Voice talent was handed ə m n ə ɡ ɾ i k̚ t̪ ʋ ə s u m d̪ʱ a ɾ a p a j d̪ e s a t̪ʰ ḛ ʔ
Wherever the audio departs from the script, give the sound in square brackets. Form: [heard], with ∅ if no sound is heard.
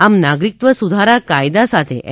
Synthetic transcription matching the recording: [a] m n [a] ɡ ɾ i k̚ t̪ ʋ ə s u [∅] d̪ʱ a ɾ a [k] a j d̪ [a] s a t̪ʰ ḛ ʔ

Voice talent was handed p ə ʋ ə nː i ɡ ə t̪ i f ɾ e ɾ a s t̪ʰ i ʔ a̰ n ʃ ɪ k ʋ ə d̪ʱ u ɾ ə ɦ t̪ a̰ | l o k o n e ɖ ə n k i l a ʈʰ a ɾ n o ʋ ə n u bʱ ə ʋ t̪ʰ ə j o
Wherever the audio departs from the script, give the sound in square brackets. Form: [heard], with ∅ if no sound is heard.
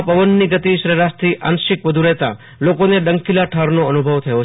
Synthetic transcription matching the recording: p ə ʋ ə nː i ɡ ə t̪ i [ʃ] ɾ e ɾ a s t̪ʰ i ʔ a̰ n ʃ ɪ k ʋ ə d̪ʱ u ɾ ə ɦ t̪ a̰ | l o k o n e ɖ ə [ŋ] k i l a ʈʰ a ɾ n o [∅] ə n u bʱ ə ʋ t̪ʰ ə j o

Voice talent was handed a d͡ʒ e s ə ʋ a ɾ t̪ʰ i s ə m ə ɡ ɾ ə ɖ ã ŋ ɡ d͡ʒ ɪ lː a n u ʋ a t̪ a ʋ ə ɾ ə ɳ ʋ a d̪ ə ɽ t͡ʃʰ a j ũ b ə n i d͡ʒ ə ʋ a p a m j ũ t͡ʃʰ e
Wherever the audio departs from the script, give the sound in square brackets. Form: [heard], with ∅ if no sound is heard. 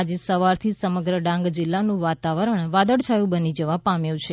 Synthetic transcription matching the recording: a d͡ʒ e s ə ʋ a ɾ t̪ʰ i s ə m ə ɡ ɾ ə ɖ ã ŋ ɡ d͡ʒ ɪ lː a n [ũ] ʋ a t̪ a ʋ ə ɾ ə ɳ ʋ a d̪ ə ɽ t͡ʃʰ a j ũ b ə n i d͡ʒ ə ʋ a p a m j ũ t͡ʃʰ e

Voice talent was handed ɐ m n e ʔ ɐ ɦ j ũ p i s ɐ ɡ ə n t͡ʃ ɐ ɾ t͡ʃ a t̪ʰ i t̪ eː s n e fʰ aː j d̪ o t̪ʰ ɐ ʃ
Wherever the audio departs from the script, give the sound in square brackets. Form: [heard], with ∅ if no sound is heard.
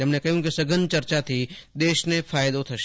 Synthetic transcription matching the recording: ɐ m n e [k] ɐ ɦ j ũ [k] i s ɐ ɡ ə n t͡ʃ ɐ ɾ t͡ʃ a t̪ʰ i [d̪] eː [ʃ] n e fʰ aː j d̪ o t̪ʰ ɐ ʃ

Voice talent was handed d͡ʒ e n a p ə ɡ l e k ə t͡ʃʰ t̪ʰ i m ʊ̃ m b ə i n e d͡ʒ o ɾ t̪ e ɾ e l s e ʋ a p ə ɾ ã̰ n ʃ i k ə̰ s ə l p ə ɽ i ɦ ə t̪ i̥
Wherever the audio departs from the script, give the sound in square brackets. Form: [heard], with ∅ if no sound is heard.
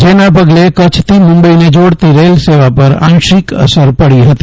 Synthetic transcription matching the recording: d͡ʒ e n a p ə ɡ l e k ə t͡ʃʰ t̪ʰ i m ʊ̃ m b ə i n e d͡ʒ o [ɽ] t̪ [i] ɾ e l s e ʋ a p ə ɾ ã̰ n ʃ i k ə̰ s ə [ɾ] p ə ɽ i ɦ ə t̪ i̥

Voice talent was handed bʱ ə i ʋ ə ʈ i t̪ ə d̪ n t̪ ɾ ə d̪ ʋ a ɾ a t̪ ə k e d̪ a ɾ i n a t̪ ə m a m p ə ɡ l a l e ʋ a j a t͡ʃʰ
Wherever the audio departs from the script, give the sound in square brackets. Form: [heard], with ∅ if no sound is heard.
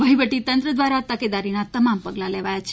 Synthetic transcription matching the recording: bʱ ə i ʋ ə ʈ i t̪ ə [∅] n t̪ ɾ ə d̪ ʋ a ɾ a t̪ ə k e d̪ a ɾ i n a t̪ ə m a m p ə ɡ l a l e ʋ a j a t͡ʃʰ

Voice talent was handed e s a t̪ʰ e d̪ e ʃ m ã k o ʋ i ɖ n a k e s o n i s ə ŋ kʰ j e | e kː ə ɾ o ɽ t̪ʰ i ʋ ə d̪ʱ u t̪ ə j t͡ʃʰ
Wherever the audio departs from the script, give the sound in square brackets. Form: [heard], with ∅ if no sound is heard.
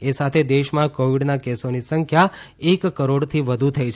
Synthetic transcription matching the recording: e s a t̪ʰ e d̪ e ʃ m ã k o ʋ i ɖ n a k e s o n i s ə ŋ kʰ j [a] | e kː ə ɾ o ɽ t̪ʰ i ʋ ə d̪ʱ u [t̪ʰ] ə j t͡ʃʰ

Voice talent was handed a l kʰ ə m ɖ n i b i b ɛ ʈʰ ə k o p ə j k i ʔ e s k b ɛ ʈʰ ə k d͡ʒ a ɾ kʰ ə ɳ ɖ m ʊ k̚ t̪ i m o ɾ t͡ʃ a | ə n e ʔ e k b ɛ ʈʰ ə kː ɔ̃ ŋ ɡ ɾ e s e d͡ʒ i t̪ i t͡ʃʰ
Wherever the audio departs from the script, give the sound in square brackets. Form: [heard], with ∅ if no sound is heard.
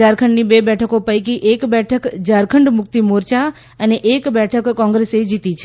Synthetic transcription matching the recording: a [ɾ] kʰ ə [ɳ] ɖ n i b [e] b ɛ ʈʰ ə k o p ə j k i ʔ e [∅] k b ɛ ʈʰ ə k d͡ʒ a ɾ kʰ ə ɳ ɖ m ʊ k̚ t̪ i m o ɾ t͡ʃ a | ə n e ʔ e k b ɛ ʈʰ ə kː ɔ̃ ŋ ɡ ɾ e s e d͡ʒ i t̪ i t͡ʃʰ

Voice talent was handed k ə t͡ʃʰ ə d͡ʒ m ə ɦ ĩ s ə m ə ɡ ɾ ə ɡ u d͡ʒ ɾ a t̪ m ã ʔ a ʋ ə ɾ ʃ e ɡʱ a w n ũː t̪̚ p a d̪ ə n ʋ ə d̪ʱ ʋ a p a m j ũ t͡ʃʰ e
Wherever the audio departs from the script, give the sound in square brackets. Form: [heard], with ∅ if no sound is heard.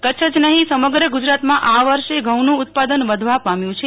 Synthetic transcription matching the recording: k ə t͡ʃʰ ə d͡ʒ [n] ə ɦ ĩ s ə m ə ɡ ɾ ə ɡ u d͡ʒ ɾ a t̪ m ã ʔ a ʋ ə ɾ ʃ e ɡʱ [ə] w n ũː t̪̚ p a d̪ ə n ʋ ə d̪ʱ ʋ a p a m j ũ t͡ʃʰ e

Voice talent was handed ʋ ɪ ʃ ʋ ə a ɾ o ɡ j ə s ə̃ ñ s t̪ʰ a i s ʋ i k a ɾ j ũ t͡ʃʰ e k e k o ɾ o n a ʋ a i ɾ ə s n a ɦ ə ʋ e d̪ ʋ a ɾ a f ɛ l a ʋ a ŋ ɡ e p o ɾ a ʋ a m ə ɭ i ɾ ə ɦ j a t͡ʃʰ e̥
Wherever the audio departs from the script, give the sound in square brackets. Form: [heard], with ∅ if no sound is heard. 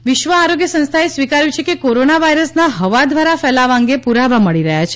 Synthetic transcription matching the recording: ʋ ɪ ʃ ʋ ə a ɾ o ɡ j ə s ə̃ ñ s t̪ʰ a [e] s ʋ i k a ɾ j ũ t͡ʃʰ e k e k o ɾ o n a ʋ a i ɾ ə s n a ɦ ə ʋ [a] d̪ ʋ a ɾ a f ɛ l a ʋ a ŋ ɡ e p [u] ɾ a ʋ a m ə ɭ i ɾ ə ɦ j a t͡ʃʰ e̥

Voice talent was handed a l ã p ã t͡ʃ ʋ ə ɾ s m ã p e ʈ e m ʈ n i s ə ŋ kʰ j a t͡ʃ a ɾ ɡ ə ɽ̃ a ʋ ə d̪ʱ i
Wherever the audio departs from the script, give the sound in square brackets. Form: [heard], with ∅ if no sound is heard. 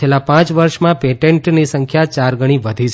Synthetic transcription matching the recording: [e] l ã p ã t͡ʃ ʋ ə ɾ [ʃ] m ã p e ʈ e [ɳ] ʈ n i s ə ŋ kʰ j a t͡ʃ a ɾ ɡ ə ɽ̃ [i] ʋ ə d̪ʱ i

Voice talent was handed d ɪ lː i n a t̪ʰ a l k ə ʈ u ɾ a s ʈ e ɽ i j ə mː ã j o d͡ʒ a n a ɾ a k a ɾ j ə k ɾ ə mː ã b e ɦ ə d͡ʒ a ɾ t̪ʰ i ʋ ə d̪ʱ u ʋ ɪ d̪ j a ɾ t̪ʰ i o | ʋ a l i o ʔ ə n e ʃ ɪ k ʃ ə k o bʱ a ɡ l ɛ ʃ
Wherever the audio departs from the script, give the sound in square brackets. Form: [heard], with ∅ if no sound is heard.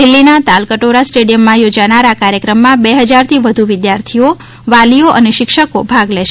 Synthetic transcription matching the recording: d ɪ lː i n a [t̪] a l k ə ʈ [o] ɾ a s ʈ e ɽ i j ə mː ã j o d͡ʒ a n a ɾ a k a ɾ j ə k ɾ ə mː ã b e ɦ ə d͡ʒ a ɾ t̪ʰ i ʋ ə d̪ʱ u ʋ ɪ d̪ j a ɾ t̪ʰ i o | ʋ a l i o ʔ ə n e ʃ ɪ k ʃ ə k o bʱ a ɡ l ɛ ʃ

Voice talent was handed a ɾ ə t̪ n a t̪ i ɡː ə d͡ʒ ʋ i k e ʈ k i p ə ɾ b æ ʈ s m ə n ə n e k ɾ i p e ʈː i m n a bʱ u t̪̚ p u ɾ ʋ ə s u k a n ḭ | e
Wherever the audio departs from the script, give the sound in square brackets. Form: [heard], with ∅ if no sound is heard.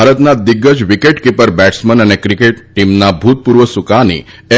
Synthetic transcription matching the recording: a ɾ ə t̪ n a [d̪] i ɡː ə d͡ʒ ʋ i k e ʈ k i p ə ɾ b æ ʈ s m ə n ə n e k ɾ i [k] e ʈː i m n a bʱ u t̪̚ p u ɾ ʋ ə s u k a n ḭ | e

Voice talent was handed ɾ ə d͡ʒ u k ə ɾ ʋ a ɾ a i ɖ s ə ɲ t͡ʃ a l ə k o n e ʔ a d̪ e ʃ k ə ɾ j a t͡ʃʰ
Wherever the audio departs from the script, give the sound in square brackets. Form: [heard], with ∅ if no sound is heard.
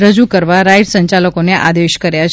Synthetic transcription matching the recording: ɾ ə d͡ʒ u k ə ɾ ʋ a ɾ a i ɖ s ə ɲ t͡ʃ a l ə k o n e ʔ a d̪ e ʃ k ə ɾ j a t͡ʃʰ

